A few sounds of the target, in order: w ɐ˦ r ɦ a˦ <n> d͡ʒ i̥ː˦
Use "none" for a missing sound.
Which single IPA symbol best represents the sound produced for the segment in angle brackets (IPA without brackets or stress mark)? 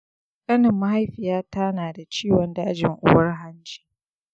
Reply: n